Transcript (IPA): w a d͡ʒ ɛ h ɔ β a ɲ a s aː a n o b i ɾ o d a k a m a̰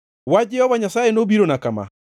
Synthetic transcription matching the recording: w a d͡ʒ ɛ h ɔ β a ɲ a s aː e n o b i ɾ o n a k a m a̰